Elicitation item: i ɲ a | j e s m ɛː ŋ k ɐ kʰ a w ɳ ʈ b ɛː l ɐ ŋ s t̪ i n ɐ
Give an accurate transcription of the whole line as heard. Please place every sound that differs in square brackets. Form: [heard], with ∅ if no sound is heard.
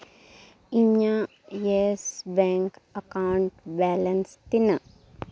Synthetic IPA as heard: i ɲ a | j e s [b] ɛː ŋ k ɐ [k] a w ɳ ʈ b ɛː l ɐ [n] s t̪ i n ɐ